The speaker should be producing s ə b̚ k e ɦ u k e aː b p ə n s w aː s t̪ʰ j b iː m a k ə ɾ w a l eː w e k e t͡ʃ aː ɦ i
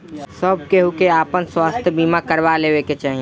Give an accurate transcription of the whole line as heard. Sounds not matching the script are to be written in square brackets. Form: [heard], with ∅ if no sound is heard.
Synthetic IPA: s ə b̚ k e ɦ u k e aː [∅] p ə n s w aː s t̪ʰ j b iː m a k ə ɾ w a l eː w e k e t͡ʃ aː ɦ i